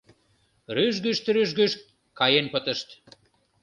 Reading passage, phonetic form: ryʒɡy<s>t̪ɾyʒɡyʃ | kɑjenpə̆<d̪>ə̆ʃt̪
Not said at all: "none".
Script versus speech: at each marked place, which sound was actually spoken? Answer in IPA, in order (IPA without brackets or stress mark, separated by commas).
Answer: ʃ, t̪